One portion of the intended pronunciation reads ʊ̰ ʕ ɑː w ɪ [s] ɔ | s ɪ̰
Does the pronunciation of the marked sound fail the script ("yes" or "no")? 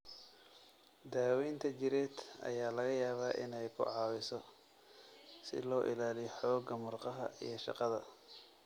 no